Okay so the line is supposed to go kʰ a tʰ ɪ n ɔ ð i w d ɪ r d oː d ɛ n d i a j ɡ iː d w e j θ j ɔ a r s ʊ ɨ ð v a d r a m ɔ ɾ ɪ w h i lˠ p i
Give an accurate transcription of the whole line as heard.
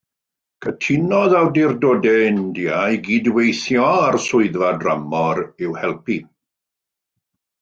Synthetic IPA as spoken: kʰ ə tʰ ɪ n ɔ ð a w d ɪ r d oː d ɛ n d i a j ɡ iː d w e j θ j ɔ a r s ʊ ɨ ð v a d r a m ɔ ɾ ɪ w h ɛ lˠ p i